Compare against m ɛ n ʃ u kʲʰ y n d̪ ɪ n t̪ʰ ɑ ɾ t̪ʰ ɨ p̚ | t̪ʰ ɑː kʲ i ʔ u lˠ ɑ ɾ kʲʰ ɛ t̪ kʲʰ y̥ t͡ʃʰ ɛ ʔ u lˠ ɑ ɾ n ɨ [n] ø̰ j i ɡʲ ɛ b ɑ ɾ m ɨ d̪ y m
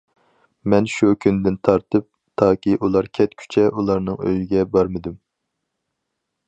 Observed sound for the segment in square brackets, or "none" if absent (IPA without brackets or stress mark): ŋ